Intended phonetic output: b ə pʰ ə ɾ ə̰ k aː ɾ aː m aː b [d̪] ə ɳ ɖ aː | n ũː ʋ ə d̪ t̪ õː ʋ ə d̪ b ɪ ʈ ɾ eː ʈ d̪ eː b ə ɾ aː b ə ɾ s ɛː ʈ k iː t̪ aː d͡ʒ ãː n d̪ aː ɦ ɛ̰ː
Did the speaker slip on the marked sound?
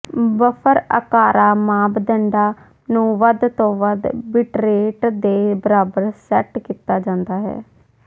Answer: no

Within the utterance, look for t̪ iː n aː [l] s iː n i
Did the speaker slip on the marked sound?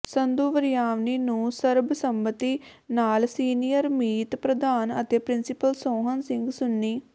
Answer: no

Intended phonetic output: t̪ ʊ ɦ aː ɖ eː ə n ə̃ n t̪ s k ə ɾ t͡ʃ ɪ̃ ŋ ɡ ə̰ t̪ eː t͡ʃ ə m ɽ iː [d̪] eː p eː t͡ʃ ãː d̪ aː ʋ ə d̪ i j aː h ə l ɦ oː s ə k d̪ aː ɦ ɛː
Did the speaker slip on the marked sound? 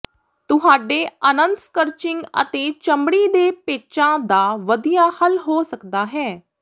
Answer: no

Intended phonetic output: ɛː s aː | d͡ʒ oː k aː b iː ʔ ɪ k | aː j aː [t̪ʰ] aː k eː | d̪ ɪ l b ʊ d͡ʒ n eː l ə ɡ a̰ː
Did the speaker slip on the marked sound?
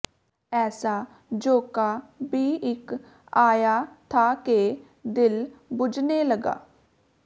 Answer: no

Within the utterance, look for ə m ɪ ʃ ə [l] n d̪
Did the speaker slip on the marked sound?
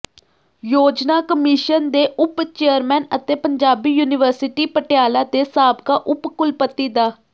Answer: yes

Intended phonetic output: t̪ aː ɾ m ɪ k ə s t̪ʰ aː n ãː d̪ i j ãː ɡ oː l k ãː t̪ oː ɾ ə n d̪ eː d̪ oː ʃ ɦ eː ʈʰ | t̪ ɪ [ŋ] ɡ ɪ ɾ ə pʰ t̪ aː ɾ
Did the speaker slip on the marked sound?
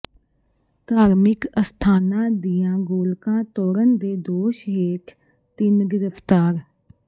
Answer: yes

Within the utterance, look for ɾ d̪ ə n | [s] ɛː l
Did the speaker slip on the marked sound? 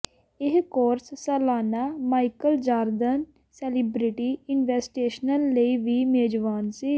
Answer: no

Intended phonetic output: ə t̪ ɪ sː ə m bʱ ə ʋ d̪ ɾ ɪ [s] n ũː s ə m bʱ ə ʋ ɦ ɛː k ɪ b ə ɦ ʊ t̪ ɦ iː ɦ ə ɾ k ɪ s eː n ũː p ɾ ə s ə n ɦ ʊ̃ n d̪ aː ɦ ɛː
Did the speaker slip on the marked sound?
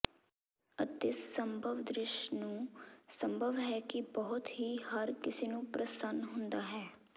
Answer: yes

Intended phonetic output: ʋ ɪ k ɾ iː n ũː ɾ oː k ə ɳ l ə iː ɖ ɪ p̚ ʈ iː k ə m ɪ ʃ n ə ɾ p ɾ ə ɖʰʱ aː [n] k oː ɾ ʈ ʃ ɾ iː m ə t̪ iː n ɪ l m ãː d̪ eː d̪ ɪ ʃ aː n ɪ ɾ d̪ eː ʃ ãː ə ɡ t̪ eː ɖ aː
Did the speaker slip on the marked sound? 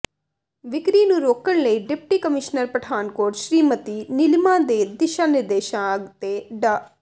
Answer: no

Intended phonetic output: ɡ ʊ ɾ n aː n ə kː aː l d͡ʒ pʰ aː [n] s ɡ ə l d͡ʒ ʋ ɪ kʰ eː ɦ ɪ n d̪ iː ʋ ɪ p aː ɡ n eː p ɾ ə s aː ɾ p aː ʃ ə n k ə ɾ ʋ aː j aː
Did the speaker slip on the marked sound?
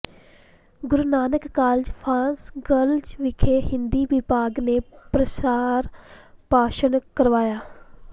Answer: no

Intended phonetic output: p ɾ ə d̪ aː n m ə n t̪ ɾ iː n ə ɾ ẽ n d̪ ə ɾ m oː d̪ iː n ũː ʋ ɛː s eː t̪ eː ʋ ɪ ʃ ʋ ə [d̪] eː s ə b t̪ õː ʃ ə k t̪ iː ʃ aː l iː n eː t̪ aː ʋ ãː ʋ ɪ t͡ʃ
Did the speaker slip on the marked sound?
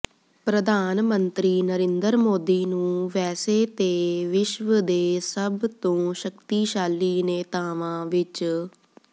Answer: no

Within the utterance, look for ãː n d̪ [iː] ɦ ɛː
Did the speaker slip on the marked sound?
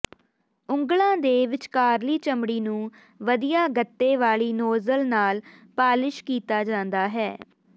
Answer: yes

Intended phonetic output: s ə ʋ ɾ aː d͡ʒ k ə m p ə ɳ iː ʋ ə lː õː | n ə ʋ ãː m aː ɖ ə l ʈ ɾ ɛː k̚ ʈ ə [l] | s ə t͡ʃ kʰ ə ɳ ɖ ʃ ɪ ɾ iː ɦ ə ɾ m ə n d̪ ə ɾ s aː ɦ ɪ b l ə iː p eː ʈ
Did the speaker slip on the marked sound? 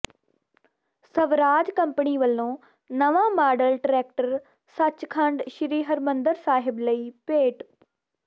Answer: yes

